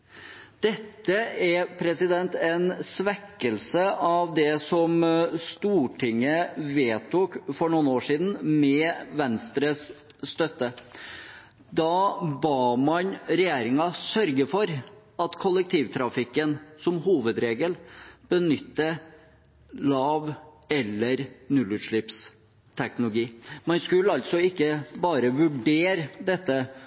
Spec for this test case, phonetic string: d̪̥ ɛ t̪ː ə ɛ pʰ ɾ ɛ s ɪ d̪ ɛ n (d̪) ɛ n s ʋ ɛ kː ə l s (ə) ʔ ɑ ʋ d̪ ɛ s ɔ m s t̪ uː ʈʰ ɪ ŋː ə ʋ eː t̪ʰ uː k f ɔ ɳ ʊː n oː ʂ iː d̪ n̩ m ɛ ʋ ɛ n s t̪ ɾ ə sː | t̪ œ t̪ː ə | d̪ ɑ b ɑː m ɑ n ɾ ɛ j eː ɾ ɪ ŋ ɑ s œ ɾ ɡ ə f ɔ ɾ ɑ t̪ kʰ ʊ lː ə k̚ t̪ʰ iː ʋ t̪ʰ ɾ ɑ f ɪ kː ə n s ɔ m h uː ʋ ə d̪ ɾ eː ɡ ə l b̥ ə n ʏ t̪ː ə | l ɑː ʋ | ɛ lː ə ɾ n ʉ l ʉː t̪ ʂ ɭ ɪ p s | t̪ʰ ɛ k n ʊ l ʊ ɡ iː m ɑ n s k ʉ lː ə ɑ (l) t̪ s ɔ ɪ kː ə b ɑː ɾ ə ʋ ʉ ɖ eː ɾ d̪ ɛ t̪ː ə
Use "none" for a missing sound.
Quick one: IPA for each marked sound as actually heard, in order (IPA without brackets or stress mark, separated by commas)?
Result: t̪, ə, l